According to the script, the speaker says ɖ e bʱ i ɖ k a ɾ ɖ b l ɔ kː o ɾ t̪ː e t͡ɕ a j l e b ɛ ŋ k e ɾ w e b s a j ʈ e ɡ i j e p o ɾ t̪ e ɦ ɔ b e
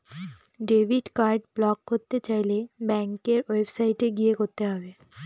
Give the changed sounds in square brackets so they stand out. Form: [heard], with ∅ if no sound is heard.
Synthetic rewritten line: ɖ e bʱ i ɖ k a ɾ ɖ b l ɔ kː o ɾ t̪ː e t͡ɕ a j l e b ɛ ŋ k e ɾ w e b s a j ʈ e ɡ i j e [k] o ɾ t̪ e ɦ ɔ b e